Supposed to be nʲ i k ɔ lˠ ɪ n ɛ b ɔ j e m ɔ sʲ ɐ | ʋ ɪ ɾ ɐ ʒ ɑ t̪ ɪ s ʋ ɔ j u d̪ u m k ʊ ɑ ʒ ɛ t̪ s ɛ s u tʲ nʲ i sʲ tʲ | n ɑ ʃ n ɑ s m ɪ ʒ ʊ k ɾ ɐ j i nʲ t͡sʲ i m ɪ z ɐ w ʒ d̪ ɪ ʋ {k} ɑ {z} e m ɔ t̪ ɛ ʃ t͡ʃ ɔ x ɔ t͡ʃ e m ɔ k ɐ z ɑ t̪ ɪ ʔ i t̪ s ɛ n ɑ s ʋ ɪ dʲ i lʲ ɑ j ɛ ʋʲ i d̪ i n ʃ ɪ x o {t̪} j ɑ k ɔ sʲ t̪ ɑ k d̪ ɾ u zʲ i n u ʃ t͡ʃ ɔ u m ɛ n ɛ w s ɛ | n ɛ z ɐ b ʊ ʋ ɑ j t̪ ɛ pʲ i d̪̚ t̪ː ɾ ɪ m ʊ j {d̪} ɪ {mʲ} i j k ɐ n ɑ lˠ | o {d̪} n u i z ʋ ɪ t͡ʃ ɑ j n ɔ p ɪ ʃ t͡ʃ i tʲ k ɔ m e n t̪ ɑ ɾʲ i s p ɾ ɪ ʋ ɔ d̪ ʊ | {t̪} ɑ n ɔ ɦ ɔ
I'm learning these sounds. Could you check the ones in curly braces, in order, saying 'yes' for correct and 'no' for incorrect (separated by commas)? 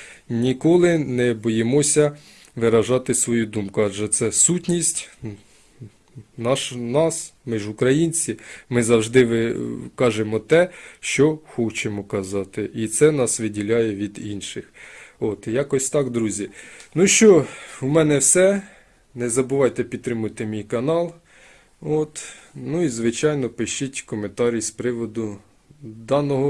yes, no, yes, no, yes, no, no